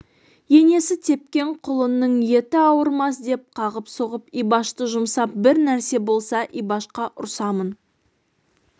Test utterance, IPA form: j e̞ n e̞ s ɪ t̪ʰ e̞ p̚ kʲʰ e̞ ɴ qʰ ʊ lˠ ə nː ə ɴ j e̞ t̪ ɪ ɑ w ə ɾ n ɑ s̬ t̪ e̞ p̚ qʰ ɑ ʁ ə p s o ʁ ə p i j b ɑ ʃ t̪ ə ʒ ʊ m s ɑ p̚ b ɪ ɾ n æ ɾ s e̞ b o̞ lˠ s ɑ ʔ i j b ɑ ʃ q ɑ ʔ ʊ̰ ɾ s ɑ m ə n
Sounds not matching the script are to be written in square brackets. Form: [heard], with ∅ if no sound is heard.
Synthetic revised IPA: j e̞ n e̞ s ɪ t̪ʰ e̞ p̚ [kʲ] e̞ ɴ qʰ ʊ lˠ ə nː ə ɴ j e̞ t̪ ɪ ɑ w ə ɾ [m] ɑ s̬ [d̪] e̞ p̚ qʰ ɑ ʁ ə p s o ʁ ə p i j b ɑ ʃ t̪ ə ʒ ʊ m s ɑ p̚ b ɪ ɾ n æ ɾ s e̞ b o̞ lˠ s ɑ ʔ i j b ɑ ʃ q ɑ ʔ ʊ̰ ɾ s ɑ m ə n

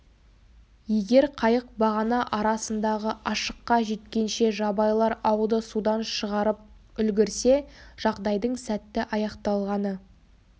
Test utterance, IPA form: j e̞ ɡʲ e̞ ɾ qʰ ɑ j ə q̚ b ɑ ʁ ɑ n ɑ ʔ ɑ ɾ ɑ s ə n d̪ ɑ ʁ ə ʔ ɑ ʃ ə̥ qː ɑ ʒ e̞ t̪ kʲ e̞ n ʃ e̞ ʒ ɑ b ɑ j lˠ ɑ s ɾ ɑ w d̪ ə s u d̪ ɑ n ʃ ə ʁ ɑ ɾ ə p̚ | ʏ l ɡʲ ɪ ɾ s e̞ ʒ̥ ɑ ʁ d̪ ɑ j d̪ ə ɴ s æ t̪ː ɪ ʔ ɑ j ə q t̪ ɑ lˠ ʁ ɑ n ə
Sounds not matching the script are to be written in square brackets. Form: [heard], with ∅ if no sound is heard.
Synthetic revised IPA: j e̞ ɡʲ e̞ ɾ qʰ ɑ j ə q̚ b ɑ ʁ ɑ n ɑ ʔ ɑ ɾ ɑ s ə n d̪ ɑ ʁ ə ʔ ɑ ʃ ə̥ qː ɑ ʒ e̞ t̪ kʲ e̞ n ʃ e̞ ʒ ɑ b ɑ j lˠ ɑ [∅] ɾ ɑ w d̪ ə s u d̪ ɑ n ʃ ə ʁ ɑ ɾ ə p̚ | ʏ l ɡʲ ɪ ɾ s e̞ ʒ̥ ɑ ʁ d̪ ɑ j d̪ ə ɴ s æ t̪ː ɪ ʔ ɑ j [ɑ] q t̪ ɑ lˠ ʁ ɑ n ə

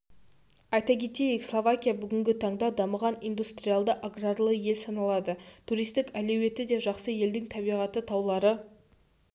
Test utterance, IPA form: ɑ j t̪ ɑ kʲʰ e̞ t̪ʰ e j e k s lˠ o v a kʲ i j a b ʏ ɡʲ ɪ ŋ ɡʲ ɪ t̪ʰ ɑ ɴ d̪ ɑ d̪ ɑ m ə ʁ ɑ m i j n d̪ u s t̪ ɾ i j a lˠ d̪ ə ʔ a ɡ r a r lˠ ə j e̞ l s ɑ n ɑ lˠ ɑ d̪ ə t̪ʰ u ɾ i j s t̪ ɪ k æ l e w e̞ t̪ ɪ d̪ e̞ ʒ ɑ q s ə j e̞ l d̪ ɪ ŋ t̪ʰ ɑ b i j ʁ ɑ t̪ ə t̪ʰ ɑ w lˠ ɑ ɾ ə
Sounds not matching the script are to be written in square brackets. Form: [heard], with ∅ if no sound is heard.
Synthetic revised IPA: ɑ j t̪ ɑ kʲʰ e̞ [t̪] e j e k s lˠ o v a kʲ i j a b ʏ ɡʲ ɪ ŋ ɡʲ ɪ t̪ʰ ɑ ɴ d̪ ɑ d̪ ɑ m ə ʁ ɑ [n] i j n d̪ u s t̪ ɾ i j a lˠ d̪ ə ʔ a ɡ r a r lˠ ə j e̞ l s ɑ n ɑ lˠ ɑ d̪ ə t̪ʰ u ɾ i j s t̪ ɪ k æ l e w e̞ t̪ ɪ d̪ e̞ ʒ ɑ q s ə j e̞ l d̪ ɪ ŋ t̪ʰ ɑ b i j ʁ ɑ t̪ ə t̪ʰ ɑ w lˠ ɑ ɾ ə

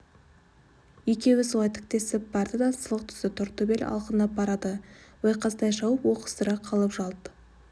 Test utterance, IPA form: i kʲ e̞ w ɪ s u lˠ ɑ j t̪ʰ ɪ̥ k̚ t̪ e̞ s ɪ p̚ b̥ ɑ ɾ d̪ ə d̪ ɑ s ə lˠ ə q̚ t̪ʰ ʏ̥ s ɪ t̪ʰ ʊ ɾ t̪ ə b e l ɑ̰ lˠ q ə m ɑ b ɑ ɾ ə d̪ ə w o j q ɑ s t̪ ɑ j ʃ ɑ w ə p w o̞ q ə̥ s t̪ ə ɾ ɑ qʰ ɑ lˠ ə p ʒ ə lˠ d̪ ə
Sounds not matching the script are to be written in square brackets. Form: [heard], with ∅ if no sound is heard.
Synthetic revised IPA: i kʲ e̞ w ɪ s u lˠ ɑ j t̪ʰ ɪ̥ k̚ t̪ e̞ s ɪ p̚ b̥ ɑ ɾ d̪ ə d̪ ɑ s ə lˠ ə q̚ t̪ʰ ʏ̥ s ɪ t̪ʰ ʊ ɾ t̪ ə b e l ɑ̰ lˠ q ə [n] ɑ b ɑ ɾ [ɑ] d̪ ə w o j q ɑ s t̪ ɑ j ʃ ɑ w ə p w o̞ q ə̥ s t̪ ə ɾ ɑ qʰ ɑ lˠ ə p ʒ [ɑ] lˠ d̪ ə

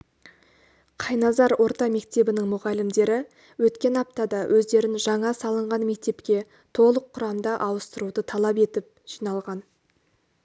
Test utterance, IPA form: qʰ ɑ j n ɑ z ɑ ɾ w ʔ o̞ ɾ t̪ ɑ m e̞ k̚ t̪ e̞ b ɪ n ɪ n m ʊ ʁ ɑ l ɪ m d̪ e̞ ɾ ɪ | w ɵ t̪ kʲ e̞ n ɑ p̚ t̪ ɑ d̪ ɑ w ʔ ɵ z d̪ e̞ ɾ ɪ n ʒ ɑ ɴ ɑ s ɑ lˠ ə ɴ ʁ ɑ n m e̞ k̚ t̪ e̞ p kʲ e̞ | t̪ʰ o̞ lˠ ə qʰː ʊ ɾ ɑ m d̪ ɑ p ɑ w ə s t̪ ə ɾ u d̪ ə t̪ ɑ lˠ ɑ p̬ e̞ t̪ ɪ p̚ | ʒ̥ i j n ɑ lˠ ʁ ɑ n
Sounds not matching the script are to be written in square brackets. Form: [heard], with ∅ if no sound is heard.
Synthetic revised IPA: qʰ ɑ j n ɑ z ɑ ɾ w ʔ o̞ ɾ t̪ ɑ m e̞ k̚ t̪ e̞ b ɪ n ɪ [ŋ] m ʊ ʁ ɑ l ɪ m d̪ e̞ ɾ ɪ | w ɵ t̪ kʲ e̞ n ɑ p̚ t̪ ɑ d̪ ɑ w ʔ ɵ z d̪ e̞ ɾ ɪ n ʒ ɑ ɴ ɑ s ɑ lˠ ə ɴ ʁ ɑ n m e̞ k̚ t̪ e̞ p kʲ e̞ | t̪ʰ o̞ lˠ ə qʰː ʊ ɾ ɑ m d̪ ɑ [ʔ] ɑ w ə s t̪ ə ɾ u d̪ ə [t̪ʰ] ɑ lˠ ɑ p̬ e̞ t̪ ɪ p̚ | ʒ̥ i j n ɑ lˠ ʁ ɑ n

